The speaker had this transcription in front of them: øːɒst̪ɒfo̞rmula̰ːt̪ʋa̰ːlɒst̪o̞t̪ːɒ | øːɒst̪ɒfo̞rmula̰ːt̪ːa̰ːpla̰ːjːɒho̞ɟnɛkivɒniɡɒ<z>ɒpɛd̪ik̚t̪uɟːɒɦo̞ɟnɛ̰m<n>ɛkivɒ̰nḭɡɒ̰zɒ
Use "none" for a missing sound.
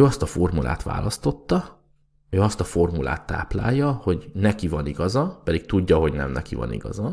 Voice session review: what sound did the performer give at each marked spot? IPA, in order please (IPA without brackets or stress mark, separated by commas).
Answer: z, n